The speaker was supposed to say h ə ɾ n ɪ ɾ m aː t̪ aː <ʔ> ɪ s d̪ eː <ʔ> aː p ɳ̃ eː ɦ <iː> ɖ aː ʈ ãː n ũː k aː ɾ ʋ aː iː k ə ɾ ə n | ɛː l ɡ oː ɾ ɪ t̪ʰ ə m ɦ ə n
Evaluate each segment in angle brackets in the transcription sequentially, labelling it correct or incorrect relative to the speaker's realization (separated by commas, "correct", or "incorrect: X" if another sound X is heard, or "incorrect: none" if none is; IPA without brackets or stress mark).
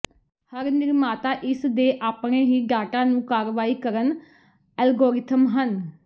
correct, correct, correct